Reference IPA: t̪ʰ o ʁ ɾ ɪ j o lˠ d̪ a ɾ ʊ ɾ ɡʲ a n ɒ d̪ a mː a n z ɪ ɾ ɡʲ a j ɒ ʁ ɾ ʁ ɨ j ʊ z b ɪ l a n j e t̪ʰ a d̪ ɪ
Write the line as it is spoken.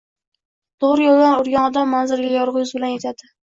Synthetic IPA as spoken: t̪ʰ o ʁ ɾ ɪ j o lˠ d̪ a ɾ ʊ ɾ ɡʲ a n ɒ d̪ a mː a n z ɪ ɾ ɡʲ a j ɒ ɾ ʁ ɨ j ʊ z b ɪ l a n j e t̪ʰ a d̪ ɪ

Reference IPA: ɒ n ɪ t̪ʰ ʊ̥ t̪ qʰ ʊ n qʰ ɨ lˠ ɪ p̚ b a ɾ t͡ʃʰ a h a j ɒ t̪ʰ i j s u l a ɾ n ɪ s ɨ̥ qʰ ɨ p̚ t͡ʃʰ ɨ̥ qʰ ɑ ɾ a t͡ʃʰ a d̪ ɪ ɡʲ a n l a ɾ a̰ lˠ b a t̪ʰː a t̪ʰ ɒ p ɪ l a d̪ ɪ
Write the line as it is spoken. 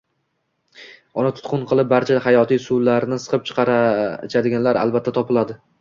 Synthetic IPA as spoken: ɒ n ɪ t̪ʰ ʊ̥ t̪ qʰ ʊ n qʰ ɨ lˠ ɪ p̚ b a ɾ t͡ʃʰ a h a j ɒ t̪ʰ i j s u l a ɾ n ɪ s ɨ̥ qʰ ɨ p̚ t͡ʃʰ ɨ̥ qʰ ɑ ɾ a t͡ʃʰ a d̪ ɪ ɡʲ a n l a ɾ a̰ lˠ b a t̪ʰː a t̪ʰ ɒ p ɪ l a d̪ ɪ

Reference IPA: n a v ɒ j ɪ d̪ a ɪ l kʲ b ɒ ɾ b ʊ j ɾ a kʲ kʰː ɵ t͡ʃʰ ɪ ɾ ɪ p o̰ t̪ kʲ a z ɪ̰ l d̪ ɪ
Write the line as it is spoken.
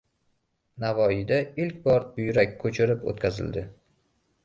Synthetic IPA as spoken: n a v ɒ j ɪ d̪ a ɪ l kʲ b ɒ ɾ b ʊ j ɾ a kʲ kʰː ɵ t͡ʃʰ ɪ ɾ ɪ p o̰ t̪ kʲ a z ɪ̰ l d̪ ɪ

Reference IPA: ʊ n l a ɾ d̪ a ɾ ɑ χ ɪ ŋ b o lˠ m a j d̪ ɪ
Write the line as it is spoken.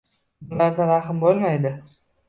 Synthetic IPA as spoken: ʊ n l a ɾ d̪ a ɾ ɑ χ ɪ m b o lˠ m a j d̪ ɪ

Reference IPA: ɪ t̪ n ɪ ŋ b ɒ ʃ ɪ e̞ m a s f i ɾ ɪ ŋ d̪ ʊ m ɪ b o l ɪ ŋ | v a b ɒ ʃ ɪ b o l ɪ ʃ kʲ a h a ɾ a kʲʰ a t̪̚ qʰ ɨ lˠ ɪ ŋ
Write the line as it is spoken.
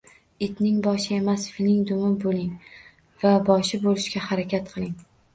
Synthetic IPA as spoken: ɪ t̪ n ɪ ŋ b ɒ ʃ ɪ e̞ m a s f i l ɪ ŋ d̪ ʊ m ɪ b o l ɪ ŋ | v a b ɒ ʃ ɪ b o l ɪ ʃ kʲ a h a ɾ a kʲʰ a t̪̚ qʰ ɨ lˠ ɪ ŋ

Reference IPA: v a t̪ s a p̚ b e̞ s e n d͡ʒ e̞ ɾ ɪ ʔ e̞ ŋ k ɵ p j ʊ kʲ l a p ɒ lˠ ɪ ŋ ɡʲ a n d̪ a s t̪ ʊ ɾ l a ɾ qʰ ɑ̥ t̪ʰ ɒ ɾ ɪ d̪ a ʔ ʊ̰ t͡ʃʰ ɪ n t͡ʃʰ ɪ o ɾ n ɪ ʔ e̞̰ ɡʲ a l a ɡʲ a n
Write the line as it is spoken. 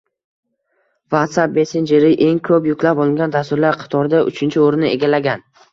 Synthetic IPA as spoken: v a t̪ s a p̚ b e̞ s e n d͡ʒ e̞ ɾ ɪ ʔ e̞ ŋ kʰ ɵ p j ʊ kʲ l a p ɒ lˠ ɪ ŋ ɡʲ a n d̪ a s t̪ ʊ ɾ l a ɾ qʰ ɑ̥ t̪ʰ ɒ ɾ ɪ d̪ a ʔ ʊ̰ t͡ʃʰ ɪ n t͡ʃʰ ɪ o ɾ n ɪ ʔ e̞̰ ɡʲ a l a ɡʲ a n

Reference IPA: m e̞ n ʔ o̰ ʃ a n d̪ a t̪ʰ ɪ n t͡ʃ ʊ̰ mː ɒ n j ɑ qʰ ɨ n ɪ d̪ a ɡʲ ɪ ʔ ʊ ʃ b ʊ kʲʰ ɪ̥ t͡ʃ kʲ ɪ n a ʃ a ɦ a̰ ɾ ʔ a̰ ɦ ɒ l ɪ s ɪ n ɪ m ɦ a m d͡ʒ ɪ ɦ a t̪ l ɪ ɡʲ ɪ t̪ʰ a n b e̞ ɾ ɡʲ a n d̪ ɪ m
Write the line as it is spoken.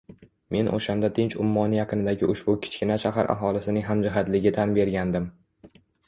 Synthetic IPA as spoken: m e̞ n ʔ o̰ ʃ a n d̪ a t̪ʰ ɪ n t͡ʃ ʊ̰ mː ɒ n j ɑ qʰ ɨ n ɪ d̪ a ɡʲ ɪ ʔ ʊ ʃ b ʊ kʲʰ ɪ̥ t͡ʃ kʲ ɪ n a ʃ a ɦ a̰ ɾ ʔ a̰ ɦ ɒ l ɪ s ɪ n ɪ ŋ ɦ a m d͡ʒ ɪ ɦ a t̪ l ɪ ɡʲ ɪ t̪ʰ a n b e̞ ɾ ɡʲ a n d̪ ɪ m

